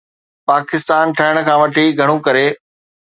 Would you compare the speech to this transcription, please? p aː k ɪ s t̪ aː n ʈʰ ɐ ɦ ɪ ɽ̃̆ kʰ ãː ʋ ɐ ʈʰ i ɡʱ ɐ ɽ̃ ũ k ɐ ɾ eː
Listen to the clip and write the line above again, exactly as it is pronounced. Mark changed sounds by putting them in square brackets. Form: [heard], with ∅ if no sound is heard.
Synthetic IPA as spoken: p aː k ɪ s t̪ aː n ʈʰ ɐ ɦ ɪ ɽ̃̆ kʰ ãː ʋ ɐ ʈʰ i ɡʱ ɐ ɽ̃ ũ k ɐ ɾ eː